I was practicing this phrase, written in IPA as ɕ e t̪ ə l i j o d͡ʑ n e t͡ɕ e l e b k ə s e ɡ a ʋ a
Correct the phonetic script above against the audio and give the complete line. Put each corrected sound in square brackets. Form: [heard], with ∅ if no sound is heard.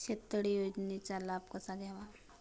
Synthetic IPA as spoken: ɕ e t̪ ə [ɽ] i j o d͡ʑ n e t͡ɕ [a] l [a] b k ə s [a] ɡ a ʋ a

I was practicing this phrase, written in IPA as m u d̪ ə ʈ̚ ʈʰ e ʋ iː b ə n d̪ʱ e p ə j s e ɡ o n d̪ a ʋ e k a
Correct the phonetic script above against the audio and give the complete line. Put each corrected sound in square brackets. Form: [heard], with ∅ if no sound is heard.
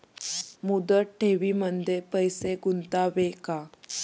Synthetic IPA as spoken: m u d̪ ə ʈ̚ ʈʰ e ʋ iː [m] ə n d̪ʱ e p ə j s e ɡ [u] n [t̪] a ʋ e k a

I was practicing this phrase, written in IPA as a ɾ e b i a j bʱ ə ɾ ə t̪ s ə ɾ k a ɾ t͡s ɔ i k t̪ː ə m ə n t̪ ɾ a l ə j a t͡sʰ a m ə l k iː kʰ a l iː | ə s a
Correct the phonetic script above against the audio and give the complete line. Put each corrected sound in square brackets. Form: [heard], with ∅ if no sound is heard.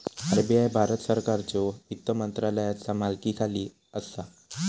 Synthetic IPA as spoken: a ɾ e b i a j bʱ [a] ɾ ə t̪ s ə ɾ k a ɾ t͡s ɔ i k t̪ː ə m ə n t̪ ɾ a l ə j a [t͡s] a m [a] l k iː kʰ a l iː | ə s a

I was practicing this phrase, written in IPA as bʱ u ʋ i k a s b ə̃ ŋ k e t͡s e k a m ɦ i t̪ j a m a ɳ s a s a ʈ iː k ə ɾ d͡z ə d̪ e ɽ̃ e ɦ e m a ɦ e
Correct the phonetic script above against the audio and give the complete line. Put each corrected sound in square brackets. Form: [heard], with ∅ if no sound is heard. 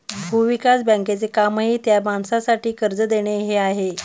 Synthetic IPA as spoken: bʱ u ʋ i k a s b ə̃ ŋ k e t͡s e k a m ɦ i t̪ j a m a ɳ s a s a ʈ iː k ə ɾ d͡z ə d̪ e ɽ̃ e ɦ e [∅] a ɦ e

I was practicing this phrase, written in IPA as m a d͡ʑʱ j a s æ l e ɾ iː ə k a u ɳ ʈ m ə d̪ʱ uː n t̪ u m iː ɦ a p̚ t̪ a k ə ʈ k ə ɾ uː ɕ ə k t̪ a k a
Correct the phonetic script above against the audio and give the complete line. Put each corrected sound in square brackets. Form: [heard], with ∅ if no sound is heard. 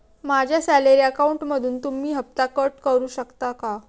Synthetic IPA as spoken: m a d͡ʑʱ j a s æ l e ɾ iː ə k a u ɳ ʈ m ə d̪ʱ uː n t̪ u m iː ɦ [ə] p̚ t̪ a k ə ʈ k ə ɾ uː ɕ ə k t̪ a k a

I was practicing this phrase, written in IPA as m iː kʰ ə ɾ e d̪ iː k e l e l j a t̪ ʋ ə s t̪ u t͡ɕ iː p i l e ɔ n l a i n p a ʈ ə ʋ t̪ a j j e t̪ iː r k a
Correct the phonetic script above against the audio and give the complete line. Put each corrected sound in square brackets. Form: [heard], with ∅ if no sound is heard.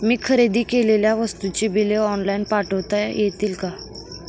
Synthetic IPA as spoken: m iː kʰ ə ɾ e d̪ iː k e l e l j a [∅] ʋ ə s t̪ u t͡ɕ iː [b] i l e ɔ n l a i n p a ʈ ə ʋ t̪ a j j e t̪ iː [l] k a

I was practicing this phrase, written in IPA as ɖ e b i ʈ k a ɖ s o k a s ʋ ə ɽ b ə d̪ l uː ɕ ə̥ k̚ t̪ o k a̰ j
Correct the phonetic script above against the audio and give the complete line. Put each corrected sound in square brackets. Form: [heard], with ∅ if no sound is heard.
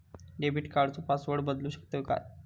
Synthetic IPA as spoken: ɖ e b i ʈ k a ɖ [t͡s] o [p] a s ʋ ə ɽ b ə d̪ l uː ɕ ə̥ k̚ t̪ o k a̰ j

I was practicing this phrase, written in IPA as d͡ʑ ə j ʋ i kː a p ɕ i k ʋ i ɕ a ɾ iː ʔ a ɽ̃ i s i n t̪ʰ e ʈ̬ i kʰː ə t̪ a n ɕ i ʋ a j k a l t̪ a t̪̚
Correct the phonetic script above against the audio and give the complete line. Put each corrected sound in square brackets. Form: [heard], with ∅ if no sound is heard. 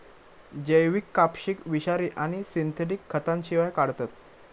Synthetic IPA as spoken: d͡ʑ ə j ʋ i kː a p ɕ i k ʋ i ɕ a ɾ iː ʔ a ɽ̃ i s i n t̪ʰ e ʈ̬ i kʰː ə t̪ a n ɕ i ʋ a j k a [ɽ] t̪ a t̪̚

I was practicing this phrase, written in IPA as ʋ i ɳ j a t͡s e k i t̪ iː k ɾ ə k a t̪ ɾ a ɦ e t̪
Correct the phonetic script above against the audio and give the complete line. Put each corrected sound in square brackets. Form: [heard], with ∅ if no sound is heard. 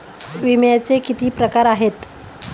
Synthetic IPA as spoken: ʋ i [m] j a t͡s e k i t̪ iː [p] ɾ ə k a [∅] ɾ a ɦ e t̪

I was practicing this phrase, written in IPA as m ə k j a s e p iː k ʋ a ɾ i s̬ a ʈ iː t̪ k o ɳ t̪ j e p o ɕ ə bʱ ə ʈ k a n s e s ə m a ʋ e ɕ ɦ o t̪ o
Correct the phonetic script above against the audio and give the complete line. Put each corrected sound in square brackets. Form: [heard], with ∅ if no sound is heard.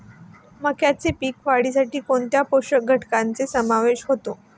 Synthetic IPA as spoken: m ə k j a [t͡s] e p iː k ʋ a [ɽ] i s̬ a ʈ iː [∅] k o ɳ t̪ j [a] p o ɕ ə [ɡʱ] ə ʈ k a n [t͡s] e s ə m a ʋ e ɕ ɦ o t̪ o

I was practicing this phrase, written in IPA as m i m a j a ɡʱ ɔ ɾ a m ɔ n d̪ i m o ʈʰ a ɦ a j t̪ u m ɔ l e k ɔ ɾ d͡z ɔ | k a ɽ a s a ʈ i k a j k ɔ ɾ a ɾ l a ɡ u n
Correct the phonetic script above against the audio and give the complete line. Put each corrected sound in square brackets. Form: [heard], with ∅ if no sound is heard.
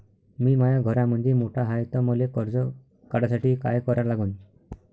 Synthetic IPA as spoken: m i m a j a ɡʱ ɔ ɾ a m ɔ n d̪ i m o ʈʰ a ɦ a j t̪ [ɔ] m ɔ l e k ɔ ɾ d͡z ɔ | k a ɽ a s a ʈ i k a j k ɔ ɾ a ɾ l a ɡ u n

